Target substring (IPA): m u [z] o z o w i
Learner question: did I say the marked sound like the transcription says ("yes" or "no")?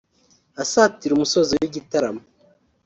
no